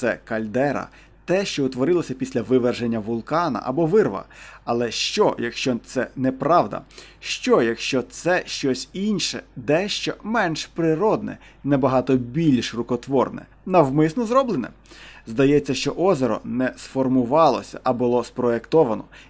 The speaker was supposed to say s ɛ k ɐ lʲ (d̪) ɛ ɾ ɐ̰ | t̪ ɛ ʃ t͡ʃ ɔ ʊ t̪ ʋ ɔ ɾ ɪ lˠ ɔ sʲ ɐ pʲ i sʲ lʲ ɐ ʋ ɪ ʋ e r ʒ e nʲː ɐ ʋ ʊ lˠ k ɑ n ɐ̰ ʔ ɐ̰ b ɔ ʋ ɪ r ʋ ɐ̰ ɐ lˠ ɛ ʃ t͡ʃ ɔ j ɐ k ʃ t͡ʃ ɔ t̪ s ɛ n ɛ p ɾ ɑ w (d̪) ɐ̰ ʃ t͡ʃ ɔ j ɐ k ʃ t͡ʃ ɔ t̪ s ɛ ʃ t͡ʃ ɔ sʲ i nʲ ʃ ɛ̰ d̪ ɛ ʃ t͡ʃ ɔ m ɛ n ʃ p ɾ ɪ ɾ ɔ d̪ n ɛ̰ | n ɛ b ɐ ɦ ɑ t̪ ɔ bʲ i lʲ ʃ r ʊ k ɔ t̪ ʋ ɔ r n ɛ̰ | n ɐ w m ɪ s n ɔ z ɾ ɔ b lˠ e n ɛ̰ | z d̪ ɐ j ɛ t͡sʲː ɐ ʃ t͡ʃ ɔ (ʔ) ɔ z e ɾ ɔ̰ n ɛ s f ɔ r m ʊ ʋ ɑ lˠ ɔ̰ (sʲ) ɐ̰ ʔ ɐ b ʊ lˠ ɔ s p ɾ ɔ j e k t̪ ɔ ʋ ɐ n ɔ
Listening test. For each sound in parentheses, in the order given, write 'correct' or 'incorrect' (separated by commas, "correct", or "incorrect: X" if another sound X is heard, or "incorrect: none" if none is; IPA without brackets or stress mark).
correct, correct, correct, correct